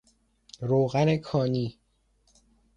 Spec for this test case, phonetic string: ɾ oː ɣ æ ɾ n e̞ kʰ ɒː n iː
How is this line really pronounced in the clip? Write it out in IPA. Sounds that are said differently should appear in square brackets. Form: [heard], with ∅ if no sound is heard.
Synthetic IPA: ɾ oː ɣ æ [∅] n e̞ kʰ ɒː n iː